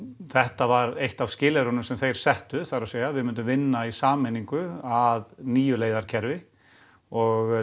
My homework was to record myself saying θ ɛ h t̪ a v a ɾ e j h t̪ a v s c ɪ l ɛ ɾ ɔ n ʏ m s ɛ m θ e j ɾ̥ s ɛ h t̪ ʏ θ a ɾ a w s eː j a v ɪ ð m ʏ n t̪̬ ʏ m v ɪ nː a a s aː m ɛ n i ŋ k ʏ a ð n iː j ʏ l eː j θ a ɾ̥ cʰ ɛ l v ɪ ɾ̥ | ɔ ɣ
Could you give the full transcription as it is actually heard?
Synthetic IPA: θ ɛ h t̪ a v a ɾ e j h t̪ a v s c ɪː l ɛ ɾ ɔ n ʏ m s ɛ m θ e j ɾ̥ s ɛ h t̪ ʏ θ a ɾ a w s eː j a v ɪ ð m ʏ n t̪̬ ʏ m v ɪ nː a i s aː m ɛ n i ŋ k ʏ a ð n iː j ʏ l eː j ð a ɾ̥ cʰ ɛ ɾ v ɪ | ɔ ɣ